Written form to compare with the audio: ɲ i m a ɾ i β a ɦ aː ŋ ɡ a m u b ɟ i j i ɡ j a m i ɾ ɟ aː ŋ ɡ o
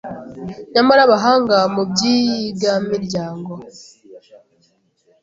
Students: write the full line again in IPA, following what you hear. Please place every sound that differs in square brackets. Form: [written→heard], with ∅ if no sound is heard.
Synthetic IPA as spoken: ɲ [i→a] m a ɾ [i→a] β a ɦ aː ŋ ɡ a m u b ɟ i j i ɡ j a m i ɾ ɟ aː ŋ ɡ o